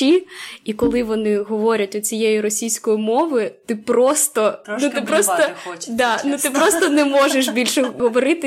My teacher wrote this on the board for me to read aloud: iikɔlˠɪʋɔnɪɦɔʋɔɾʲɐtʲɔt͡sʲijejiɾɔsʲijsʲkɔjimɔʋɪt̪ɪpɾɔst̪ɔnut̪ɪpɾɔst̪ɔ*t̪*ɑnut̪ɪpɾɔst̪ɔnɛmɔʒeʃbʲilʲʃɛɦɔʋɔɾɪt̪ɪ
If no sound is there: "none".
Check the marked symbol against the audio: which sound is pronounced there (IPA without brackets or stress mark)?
d̪